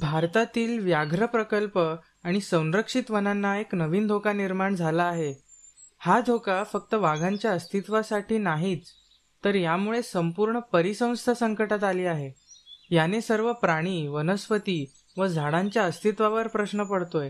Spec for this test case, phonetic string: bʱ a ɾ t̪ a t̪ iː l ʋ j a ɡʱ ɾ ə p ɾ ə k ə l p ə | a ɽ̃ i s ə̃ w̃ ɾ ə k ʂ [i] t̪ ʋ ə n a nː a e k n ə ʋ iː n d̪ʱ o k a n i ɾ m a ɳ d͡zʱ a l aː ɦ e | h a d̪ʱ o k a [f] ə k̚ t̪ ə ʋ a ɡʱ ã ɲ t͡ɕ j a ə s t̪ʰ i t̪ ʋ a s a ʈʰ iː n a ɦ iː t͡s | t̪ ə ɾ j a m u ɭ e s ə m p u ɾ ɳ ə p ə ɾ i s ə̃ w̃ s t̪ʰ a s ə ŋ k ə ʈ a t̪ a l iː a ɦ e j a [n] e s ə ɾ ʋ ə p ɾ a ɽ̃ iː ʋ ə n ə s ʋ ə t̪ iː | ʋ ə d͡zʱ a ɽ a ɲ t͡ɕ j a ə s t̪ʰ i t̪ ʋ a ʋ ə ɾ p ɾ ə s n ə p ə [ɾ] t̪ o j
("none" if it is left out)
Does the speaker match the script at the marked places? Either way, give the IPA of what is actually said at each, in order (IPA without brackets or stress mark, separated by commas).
i, f, n, ɽ